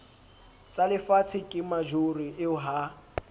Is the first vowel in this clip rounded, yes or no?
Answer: no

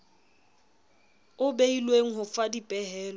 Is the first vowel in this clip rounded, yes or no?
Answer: yes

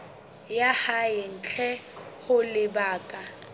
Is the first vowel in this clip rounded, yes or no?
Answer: no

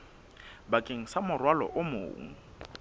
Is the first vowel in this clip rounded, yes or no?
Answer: no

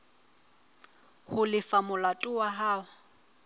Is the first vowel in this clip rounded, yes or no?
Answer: yes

